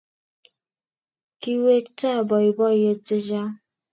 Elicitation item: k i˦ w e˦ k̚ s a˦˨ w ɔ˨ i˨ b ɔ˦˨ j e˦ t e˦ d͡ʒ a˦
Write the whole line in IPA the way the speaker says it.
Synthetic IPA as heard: k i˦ w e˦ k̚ t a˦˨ b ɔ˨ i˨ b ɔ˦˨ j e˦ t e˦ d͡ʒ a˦